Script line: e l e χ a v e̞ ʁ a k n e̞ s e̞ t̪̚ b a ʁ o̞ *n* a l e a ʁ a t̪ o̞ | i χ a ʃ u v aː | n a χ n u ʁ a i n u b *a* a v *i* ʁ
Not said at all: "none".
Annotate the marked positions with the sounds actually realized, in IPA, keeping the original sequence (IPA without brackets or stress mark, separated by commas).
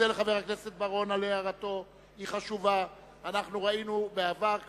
n, e, a